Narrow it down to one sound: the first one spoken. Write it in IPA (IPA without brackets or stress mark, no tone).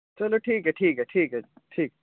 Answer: t͡ʃ